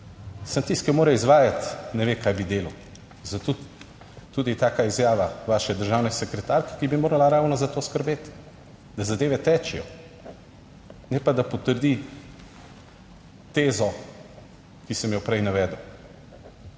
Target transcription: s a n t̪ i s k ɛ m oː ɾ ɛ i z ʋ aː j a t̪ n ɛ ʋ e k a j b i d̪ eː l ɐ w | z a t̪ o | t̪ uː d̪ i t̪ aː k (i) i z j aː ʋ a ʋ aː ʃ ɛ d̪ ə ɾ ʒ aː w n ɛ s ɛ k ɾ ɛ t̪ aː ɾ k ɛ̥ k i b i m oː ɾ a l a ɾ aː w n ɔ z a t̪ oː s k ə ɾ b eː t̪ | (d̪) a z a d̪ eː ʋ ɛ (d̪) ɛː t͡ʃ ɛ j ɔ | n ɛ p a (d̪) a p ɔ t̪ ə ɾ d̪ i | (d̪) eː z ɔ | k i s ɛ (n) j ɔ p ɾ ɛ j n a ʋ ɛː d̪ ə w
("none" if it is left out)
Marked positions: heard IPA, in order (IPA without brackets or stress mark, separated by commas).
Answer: a, d̪, t̪, d̪, t̪, m